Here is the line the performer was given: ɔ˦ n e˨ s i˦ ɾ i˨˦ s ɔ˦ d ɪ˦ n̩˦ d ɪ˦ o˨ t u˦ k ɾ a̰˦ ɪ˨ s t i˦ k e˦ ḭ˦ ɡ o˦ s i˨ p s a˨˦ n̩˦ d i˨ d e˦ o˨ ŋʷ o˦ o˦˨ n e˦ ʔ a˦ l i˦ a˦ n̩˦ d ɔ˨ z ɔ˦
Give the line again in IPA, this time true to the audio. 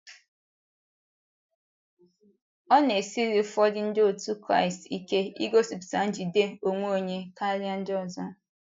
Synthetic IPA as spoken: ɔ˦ n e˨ s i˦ ɾ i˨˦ f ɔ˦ d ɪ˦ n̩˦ d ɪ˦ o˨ t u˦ k ɾ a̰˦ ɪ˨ s t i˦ k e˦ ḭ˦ ɡ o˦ s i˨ p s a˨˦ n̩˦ d͡ʒ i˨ d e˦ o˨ ŋʷ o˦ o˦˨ ɲ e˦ k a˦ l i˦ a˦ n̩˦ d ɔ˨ z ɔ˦